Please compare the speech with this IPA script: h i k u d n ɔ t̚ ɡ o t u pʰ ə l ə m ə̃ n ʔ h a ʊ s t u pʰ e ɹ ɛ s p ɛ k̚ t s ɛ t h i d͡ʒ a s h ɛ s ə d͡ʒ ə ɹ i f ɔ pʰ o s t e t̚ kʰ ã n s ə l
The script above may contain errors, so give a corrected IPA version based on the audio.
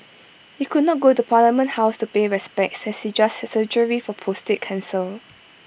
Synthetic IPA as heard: h i k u d n ɔ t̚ ɡ o t u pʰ a l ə m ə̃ n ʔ h a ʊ s t u p e ɹ ɛ s p ɛ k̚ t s ɛ s h i d͡ʒ a s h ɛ s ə d͡ʒ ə ɹ i f ɔ pʰ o s t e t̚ kʰ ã n s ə l